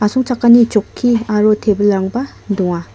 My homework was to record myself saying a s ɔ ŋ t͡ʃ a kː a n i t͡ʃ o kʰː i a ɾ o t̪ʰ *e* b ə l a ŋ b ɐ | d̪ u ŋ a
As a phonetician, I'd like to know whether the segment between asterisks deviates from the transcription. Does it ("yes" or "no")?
no